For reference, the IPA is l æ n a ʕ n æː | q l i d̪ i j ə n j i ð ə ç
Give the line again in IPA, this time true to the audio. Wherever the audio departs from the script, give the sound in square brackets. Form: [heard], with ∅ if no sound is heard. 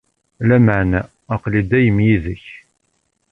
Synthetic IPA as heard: l æ [m] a ʕ n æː | q l i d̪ [æ] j ə [m] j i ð ə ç